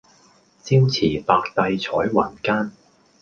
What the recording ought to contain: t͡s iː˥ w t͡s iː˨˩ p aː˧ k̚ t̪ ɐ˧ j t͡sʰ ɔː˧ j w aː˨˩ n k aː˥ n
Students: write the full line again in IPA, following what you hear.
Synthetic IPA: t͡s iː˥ w t͡sʰ iː˨˩ p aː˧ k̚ t̪ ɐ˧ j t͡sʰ ɔː˨˥ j w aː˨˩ n k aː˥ n